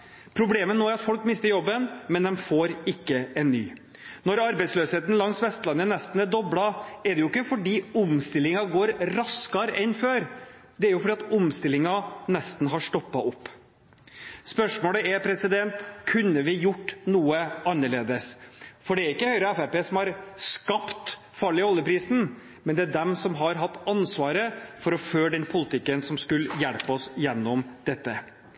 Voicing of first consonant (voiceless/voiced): voiceless